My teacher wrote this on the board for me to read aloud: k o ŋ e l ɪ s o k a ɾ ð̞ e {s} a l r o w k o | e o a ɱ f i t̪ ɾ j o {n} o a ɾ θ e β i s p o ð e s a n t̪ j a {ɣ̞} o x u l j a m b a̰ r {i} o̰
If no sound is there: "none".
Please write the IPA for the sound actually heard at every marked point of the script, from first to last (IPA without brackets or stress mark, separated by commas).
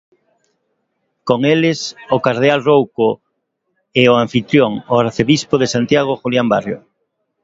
none, ŋ, ɣ̞, j